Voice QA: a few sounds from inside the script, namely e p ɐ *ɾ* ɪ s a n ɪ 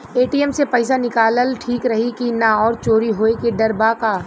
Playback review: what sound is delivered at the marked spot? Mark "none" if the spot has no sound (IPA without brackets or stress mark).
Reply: none